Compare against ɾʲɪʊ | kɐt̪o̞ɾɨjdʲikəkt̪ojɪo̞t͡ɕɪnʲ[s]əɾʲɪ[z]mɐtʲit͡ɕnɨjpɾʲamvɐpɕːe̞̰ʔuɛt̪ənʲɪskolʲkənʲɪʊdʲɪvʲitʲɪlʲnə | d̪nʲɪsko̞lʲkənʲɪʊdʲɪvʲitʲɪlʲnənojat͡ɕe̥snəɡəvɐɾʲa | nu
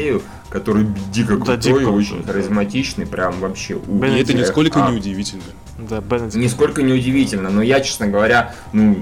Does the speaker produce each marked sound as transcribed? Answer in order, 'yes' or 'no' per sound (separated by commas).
no, yes